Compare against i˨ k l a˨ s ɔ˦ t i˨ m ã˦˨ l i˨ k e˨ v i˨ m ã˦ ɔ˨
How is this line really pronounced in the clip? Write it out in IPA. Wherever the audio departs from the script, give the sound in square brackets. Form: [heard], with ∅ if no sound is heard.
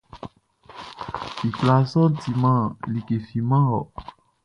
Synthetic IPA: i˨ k l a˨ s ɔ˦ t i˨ m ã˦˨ l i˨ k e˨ [f] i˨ m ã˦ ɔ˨